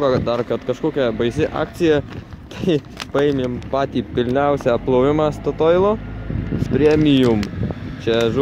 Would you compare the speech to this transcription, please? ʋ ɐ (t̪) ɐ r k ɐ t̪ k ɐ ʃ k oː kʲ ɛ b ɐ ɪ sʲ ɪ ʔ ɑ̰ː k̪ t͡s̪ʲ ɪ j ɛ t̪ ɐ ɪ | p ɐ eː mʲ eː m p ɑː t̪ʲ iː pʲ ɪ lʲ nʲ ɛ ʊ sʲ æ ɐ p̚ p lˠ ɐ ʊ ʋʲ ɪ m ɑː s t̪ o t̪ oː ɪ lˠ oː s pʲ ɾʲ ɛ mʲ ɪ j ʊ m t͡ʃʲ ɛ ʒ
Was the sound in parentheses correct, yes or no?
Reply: no